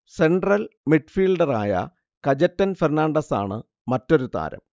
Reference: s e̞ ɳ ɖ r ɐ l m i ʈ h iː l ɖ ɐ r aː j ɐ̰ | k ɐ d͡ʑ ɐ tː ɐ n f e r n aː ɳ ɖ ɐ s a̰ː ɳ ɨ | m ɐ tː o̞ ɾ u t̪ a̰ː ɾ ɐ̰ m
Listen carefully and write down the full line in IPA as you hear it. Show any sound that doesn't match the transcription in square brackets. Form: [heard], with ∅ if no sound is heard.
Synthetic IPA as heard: s e̞ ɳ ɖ r ɐ l m i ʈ [f] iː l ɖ ɐ r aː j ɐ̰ | k ɐ d͡ʑ ɐ tː ɐ n f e r n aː ɳ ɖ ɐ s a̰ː ɳ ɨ | m ɐ tː o̞ ɾ u t̪ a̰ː ɾ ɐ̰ m